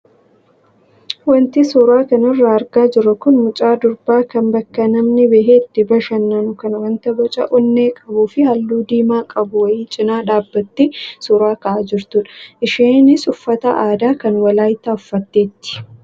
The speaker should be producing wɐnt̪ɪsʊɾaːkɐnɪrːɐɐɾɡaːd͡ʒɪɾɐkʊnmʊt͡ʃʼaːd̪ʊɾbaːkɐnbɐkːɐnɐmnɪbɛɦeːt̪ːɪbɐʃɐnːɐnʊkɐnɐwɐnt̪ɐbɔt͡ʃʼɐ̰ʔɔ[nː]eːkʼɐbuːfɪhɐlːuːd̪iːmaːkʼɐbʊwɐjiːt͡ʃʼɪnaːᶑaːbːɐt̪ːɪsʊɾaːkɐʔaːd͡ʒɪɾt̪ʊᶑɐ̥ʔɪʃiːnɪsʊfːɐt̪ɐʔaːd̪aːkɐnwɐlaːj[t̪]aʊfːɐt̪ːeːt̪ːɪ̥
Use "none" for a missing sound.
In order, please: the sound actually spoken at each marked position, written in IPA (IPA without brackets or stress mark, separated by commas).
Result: nː, t̪